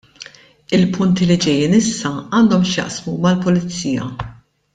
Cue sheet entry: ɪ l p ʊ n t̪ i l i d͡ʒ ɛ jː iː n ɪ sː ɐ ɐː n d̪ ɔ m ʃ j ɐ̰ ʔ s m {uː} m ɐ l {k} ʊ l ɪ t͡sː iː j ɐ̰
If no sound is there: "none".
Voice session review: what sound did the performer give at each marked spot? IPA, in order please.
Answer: u, p

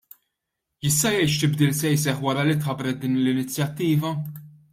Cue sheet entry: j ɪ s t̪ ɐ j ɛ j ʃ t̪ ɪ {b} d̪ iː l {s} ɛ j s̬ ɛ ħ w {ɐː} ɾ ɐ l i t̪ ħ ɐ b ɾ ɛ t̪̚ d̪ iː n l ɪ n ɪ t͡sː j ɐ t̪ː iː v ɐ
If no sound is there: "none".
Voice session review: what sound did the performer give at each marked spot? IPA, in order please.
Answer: b, s, ɐ

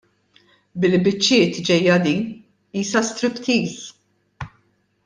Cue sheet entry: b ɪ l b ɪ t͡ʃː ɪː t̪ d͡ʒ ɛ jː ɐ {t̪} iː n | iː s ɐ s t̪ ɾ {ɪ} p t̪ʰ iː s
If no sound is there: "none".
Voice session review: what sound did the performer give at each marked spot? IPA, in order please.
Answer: d̪, ɪ

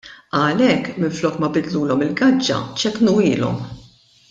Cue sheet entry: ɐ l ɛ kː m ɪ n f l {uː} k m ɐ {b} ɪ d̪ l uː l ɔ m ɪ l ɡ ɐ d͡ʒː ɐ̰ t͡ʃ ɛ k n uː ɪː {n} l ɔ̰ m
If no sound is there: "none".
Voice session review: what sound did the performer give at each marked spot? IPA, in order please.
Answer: ɔː, b, none

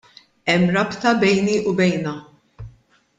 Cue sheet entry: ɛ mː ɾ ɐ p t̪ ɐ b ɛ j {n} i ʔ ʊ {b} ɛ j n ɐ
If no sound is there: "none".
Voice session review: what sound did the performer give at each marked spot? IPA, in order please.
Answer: n, b

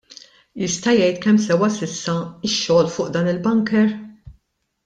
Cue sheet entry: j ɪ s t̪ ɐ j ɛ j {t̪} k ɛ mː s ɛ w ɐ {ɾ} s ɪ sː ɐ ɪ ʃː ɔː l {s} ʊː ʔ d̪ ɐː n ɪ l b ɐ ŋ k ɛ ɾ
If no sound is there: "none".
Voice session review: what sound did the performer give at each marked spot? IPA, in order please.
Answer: t̪, none, f

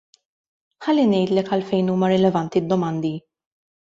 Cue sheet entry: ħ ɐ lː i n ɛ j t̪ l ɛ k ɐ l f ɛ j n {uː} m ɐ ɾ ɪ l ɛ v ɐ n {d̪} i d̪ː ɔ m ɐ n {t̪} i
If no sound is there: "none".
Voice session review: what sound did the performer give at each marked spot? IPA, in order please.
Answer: uː, t̪, d̪

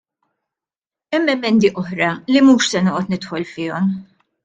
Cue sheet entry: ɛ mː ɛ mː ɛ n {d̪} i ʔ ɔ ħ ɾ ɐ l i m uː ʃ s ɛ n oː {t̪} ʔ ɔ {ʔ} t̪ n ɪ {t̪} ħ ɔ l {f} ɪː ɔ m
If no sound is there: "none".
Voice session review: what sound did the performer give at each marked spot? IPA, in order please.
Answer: d̪, none, none, t̪, f

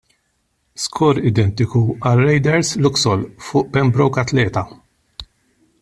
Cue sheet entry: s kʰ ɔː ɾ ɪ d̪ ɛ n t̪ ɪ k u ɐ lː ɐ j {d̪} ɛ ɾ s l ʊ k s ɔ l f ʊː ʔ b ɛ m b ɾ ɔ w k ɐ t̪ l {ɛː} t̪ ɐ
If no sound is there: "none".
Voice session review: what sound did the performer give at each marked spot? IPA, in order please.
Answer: d̪, ɛː

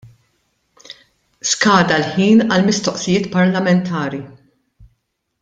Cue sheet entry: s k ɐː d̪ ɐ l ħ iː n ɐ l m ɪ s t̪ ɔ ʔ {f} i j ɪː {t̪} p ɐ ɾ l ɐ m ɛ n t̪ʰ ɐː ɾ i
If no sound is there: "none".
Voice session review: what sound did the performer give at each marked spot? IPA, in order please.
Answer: s, t̪

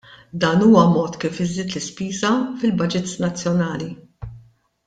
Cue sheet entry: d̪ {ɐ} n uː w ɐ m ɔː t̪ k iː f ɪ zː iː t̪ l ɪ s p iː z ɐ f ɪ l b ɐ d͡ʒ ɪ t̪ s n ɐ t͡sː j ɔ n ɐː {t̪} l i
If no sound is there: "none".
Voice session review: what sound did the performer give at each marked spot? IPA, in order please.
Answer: ɐː, none

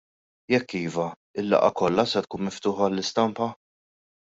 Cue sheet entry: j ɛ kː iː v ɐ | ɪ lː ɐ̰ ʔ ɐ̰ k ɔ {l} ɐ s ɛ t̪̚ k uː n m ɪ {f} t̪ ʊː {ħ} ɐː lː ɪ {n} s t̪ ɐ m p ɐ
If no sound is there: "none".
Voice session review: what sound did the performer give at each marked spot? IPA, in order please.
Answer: lː, f, ħ, none

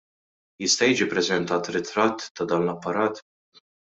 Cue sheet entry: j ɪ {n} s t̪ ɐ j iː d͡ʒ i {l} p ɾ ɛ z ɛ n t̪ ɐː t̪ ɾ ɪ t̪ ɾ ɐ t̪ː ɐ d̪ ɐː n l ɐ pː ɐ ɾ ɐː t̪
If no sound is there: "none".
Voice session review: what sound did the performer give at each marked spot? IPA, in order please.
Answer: none, none

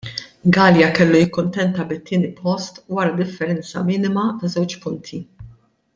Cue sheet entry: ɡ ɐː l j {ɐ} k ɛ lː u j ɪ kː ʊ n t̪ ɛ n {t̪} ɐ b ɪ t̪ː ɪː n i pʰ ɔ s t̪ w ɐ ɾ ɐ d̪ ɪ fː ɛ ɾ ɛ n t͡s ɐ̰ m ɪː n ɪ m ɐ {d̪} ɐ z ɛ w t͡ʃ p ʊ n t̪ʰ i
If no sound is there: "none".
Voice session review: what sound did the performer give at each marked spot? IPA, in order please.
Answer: ɐ, t̪, t̪

